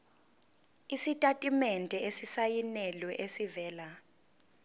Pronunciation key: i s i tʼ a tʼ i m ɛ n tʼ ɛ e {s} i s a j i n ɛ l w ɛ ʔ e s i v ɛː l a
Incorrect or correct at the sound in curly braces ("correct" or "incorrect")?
correct